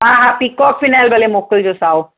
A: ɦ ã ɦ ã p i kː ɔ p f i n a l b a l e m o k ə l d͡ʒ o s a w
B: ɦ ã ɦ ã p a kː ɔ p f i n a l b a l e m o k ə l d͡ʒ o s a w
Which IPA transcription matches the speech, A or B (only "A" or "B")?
A